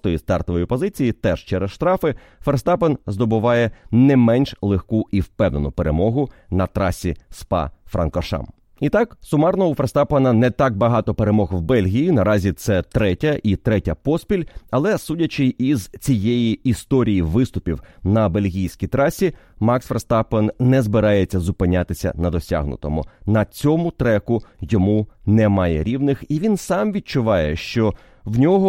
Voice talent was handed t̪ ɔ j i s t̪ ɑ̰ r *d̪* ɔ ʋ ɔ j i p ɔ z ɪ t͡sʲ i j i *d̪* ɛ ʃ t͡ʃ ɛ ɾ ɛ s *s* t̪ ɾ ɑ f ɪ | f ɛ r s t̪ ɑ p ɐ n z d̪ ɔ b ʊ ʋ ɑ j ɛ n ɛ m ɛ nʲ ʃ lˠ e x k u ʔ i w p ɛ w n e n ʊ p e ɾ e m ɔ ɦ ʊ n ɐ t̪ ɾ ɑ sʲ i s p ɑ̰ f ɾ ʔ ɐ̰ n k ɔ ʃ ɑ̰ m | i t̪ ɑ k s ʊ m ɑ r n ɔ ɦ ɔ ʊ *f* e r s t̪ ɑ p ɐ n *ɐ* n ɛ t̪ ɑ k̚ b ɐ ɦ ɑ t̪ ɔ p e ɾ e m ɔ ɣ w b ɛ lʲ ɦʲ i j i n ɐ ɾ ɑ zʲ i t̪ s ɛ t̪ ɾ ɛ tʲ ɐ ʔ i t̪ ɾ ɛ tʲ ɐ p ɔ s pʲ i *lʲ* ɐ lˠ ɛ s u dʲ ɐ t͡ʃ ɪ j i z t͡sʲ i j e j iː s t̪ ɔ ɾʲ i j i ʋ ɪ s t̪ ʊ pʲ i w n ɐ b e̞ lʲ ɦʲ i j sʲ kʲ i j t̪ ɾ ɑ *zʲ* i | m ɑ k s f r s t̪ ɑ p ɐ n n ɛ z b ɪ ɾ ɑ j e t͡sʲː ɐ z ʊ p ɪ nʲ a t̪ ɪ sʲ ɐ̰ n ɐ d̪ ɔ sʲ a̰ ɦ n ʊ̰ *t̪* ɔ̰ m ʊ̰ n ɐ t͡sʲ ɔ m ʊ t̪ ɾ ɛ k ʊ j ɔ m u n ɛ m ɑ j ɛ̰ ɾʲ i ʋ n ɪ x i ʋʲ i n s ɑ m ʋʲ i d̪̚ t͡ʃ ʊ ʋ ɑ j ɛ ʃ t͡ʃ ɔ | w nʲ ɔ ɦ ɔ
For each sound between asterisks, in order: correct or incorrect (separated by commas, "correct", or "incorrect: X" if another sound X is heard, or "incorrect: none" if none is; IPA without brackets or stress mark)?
incorrect: t̪, incorrect: t̪, incorrect: ʃ, correct, correct, correct, incorrect: sʲ, correct